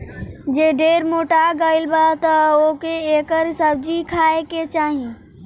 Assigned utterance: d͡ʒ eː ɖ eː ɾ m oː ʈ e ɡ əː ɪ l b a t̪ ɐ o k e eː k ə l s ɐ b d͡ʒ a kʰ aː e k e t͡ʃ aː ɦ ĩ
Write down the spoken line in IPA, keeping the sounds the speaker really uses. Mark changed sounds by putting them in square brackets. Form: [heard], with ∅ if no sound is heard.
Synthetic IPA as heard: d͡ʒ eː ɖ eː ɾ m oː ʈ [a] ɡ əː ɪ l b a t̪ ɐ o k e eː k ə [ɾ] s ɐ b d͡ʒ [i] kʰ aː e k e t͡ʃ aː ɦ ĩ